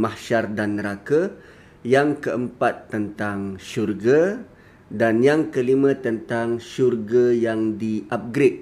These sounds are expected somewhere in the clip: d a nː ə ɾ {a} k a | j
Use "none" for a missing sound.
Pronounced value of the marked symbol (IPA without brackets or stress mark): a